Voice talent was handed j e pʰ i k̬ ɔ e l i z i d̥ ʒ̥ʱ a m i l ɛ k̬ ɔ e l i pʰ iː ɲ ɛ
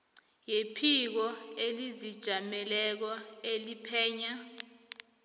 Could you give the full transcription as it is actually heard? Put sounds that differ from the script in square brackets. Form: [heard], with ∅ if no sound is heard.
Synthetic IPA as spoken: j e pʰ i k̬ ɔ e l i z i d̥ ʒ̥ʱ a m [ɛ] l ɛ k̬ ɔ e l i pʰ [ɛː] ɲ [a]